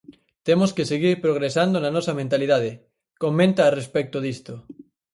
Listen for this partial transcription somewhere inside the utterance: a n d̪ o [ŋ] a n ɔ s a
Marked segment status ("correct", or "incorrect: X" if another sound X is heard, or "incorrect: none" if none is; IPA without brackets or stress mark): incorrect: n